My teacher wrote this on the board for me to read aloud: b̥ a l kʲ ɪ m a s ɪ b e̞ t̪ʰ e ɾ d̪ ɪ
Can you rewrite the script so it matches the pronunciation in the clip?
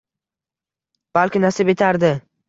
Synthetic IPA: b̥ a l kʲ ɪ n a s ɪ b e̞ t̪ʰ a ɾ d̪ ɪ